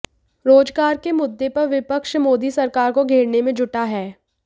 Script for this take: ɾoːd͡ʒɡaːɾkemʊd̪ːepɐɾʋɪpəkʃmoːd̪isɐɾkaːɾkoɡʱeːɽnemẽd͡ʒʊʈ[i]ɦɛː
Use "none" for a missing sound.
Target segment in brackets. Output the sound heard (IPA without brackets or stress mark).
a